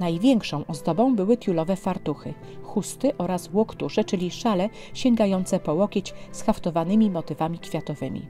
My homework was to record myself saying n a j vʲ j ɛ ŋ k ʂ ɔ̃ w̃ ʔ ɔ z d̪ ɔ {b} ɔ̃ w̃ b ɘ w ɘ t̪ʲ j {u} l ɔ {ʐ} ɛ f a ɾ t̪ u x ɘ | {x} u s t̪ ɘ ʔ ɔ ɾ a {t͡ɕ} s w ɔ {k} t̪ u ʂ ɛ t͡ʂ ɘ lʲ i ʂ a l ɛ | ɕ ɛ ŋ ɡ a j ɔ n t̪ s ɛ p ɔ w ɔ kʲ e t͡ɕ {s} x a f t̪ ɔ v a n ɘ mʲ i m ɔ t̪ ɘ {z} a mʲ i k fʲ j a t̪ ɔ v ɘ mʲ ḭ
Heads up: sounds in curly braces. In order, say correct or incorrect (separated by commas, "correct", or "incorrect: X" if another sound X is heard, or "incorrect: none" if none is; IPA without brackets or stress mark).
correct, correct, incorrect: v, correct, incorrect: none, correct, correct, incorrect: v